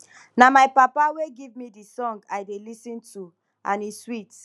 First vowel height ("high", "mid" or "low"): low